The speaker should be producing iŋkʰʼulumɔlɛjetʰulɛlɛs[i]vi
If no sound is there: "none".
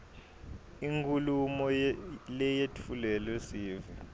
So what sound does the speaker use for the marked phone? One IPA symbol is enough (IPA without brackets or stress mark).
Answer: iː